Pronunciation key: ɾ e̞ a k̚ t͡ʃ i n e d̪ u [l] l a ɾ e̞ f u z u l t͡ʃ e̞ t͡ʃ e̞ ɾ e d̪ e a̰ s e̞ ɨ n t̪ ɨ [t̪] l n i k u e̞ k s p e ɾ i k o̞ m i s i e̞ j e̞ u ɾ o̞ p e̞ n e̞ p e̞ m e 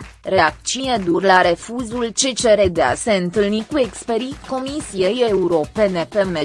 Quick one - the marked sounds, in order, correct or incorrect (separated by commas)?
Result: incorrect, incorrect